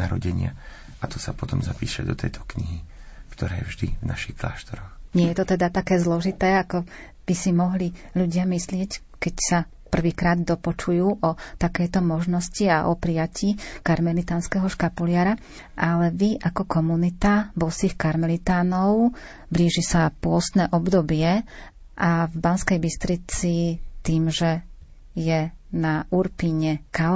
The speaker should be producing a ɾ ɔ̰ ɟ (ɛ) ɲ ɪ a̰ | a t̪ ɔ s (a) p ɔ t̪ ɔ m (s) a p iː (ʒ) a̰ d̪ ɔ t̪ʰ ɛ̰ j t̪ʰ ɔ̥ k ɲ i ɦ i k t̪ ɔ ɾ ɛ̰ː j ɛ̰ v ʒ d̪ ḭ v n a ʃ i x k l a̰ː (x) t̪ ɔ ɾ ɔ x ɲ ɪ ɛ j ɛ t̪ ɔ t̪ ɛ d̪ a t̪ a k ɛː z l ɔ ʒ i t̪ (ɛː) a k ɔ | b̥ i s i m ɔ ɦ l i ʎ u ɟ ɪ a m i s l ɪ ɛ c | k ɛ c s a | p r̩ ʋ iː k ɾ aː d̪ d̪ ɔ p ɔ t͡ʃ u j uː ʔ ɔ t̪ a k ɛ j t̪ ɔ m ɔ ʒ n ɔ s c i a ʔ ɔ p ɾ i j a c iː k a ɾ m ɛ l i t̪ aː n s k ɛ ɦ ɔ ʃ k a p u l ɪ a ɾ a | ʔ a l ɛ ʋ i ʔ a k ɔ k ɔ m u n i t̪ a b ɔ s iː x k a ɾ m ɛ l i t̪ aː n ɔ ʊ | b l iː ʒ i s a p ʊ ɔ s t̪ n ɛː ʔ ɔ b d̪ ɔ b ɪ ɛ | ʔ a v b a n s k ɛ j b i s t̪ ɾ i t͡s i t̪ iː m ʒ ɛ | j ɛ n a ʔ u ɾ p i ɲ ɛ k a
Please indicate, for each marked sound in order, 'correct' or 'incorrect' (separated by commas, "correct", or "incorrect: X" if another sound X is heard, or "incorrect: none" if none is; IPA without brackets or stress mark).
correct, correct, incorrect: z, incorrect: ʃ, incorrect: ʃ, correct